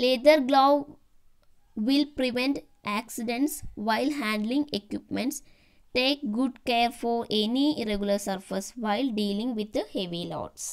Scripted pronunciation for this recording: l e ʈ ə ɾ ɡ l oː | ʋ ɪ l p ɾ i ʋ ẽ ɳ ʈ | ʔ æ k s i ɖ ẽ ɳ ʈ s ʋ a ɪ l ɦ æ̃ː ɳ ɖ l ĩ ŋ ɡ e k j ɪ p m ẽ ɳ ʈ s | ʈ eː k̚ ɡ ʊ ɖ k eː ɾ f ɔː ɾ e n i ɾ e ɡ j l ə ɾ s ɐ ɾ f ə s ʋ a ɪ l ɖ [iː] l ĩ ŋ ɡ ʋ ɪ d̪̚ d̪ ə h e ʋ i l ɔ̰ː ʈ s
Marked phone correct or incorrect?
correct